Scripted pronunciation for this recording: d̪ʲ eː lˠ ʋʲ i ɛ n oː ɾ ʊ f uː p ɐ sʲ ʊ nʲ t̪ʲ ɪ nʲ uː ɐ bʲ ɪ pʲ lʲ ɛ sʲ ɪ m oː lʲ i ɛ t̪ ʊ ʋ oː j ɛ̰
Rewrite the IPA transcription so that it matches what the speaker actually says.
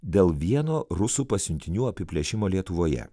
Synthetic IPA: d̪ʲ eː lˠ ʋʲ i ɛ n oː ɾ ʊ s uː p ɐ sʲ ʊ nʲ t̪ʲ ɪ nʲ uː ɐ pʲ ɪ pʲ lʲ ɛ ʃʲ ɪ m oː lʲ i ɛ t̪ ʊ ʋ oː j ɛ̰